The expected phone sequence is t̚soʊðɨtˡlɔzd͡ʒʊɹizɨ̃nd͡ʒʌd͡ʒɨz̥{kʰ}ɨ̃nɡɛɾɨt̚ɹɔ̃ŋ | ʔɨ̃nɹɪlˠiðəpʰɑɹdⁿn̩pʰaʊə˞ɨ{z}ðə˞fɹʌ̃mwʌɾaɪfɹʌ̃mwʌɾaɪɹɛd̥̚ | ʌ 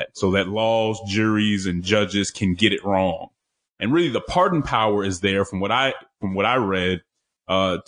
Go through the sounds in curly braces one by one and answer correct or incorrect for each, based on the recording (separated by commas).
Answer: correct, correct